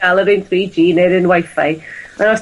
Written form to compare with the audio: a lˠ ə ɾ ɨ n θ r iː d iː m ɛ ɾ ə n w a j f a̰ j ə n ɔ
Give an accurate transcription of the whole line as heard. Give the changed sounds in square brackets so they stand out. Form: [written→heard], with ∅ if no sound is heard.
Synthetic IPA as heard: a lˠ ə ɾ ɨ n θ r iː [d→d͡ʒ] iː [m→n] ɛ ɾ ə n w a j f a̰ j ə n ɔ

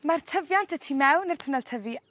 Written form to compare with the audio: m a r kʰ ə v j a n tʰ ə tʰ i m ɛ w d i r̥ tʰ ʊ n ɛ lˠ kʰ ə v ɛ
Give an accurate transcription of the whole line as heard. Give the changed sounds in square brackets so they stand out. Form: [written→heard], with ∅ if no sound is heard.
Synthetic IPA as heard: m a r [kʰ→tʰ] ə v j a n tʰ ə tʰ i m ɛ w [d→n] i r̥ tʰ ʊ n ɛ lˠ [kʰ→tʰ] ə v [ɛ→i]

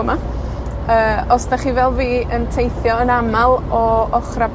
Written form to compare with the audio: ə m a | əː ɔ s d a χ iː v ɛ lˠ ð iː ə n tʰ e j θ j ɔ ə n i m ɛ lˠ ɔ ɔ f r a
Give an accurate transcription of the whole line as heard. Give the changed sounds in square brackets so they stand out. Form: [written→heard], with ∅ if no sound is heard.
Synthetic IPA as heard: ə m a | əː ɔ s d a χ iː v ɛ lˠ [ð→v] iː ə n tʰ e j θ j ɔ ə n [i→a] m [ɛ→a] lˠ ɔ ɔ [f→χ] r a

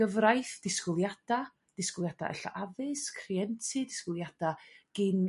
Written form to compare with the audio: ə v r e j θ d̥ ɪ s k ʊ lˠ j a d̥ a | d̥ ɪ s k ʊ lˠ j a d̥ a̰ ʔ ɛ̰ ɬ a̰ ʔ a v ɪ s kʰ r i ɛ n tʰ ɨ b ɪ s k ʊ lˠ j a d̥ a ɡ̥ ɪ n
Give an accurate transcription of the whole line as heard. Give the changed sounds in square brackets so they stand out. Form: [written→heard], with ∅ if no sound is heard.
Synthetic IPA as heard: ə v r [e→a] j θ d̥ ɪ s k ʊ lˠ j a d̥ a | d̥ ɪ s k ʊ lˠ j a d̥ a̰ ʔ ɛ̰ ɬ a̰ ʔ a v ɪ s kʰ r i ɛ n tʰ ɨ [b→d] ɪ s k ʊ lˠ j a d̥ a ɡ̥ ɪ n

